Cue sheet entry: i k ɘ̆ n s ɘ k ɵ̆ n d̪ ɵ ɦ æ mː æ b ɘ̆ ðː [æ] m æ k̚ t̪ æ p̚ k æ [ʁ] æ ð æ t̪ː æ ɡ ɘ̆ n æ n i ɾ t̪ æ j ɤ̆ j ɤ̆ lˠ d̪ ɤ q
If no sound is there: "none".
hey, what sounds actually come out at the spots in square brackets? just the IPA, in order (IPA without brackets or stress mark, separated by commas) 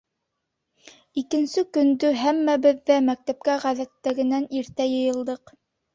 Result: æ, ʁ